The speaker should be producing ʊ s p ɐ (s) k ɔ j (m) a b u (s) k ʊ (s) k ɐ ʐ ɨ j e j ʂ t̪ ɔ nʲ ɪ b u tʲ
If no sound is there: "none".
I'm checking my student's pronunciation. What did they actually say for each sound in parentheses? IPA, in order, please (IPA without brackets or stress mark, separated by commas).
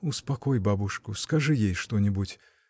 none, b, ʂ, s